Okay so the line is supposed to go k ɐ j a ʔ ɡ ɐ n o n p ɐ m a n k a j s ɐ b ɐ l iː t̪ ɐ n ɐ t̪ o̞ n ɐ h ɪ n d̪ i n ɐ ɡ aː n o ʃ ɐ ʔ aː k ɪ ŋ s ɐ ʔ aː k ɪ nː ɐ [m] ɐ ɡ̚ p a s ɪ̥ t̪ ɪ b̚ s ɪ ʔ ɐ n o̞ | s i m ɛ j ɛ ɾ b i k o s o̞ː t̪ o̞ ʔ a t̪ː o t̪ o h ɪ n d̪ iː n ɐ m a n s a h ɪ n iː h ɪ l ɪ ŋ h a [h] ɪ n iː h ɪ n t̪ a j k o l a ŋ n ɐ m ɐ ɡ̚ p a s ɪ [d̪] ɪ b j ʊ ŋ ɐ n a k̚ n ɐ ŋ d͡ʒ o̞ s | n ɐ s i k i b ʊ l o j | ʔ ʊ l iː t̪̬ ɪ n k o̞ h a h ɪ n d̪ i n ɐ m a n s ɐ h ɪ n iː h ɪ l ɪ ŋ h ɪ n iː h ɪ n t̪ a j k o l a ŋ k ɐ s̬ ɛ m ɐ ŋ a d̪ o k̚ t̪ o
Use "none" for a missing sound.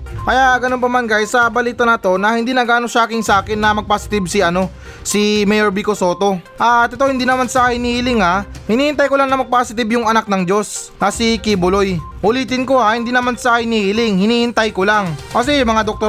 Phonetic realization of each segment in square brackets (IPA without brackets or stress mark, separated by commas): m, h, t̪